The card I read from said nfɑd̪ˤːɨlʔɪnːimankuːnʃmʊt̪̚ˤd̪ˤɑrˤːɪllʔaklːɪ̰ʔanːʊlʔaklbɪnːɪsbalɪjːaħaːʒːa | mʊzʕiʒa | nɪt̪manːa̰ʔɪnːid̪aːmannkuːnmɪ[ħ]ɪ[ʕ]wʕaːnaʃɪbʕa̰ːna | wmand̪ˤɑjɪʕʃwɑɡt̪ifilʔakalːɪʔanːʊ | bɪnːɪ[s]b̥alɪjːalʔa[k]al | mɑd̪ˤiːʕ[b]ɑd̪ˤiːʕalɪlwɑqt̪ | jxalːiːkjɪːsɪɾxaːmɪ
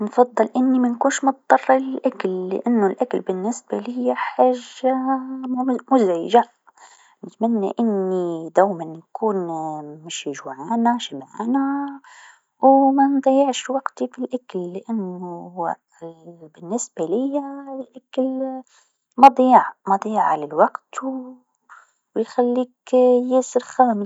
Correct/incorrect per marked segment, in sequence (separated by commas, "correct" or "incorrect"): incorrect, incorrect, correct, correct, incorrect